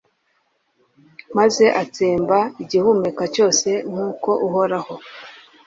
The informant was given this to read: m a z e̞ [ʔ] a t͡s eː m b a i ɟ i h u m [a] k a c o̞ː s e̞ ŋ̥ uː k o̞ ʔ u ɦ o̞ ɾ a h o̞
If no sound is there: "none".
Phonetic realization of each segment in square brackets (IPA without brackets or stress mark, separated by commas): ʔ, e